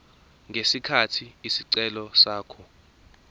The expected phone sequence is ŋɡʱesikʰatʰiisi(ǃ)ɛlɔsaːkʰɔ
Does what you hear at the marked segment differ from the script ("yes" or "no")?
yes